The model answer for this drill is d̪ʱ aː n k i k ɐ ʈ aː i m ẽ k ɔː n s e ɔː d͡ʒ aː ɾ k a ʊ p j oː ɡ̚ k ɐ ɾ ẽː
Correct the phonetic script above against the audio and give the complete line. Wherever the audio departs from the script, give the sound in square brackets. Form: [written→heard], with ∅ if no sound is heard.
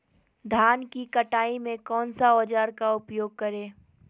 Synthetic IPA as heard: d̪ʱ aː n k i k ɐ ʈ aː i m ẽ k ɔː n s [e→a] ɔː d͡ʒ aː ɾ k a ʊ p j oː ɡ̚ k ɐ ɾ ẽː